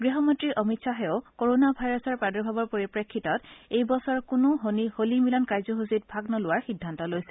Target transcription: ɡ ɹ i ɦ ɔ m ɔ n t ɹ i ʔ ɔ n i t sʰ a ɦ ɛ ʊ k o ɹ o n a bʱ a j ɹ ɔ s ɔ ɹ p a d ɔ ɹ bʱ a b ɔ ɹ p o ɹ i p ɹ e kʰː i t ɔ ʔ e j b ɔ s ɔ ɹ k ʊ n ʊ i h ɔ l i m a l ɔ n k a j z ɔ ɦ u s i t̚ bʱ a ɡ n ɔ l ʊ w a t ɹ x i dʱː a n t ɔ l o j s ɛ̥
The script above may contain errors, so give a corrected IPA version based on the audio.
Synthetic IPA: ɡ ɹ i ɦ ɔ m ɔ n t ɹ i ʔ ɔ m i t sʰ a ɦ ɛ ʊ k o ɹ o n a bʱ a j ɹ ɔ s ɔ ɹ p a d ɔ ɹ bʱ a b ɔ ɹ p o ɹ i p ɹ e kʰː i t ɔ t e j b ɔ s ɔ ɹ k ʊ n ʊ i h o l i m i l ɔ n k a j z ɔ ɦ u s i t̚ bʱ a ɡ n ɔ l ʊ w a ɹ x i dʱː a n t ɔ l o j s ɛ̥